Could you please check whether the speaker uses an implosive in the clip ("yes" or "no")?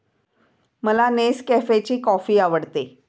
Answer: no